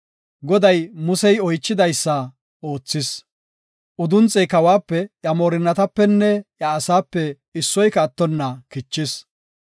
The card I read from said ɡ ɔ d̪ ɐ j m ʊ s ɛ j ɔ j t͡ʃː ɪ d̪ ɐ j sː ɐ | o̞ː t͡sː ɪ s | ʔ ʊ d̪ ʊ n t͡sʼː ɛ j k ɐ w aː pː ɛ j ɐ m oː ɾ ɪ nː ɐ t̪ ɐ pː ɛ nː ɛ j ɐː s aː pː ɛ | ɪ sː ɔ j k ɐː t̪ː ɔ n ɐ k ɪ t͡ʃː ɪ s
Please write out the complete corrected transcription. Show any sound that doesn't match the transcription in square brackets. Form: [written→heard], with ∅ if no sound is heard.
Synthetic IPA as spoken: ɡ ɔ d̪ ɐ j m ʊ s ɛ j ɔ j t͡ʃː ɪ d̪ ɐ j sː ɐ | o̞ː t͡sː ɪ s | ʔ ʊ d̪ ʊ n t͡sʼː ɛ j k ɐ w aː pː ɛ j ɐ m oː ɾ ɪ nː ɐ t̪ ɐ pː ɛ nː ɛ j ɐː s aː pː ɛ | ɪ sː ɔ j k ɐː t̪ː ɔ [n→nː] ɐ k ɪ t͡ʃː ɪ s